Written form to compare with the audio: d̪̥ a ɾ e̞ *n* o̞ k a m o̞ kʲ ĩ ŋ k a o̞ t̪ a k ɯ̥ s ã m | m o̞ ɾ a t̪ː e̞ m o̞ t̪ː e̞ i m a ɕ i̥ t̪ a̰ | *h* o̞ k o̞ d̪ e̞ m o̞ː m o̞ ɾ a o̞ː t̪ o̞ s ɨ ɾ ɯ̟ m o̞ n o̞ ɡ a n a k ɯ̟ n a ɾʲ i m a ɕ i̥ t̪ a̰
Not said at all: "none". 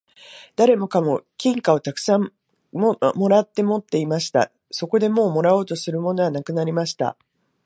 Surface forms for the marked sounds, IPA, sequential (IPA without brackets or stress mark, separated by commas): m, s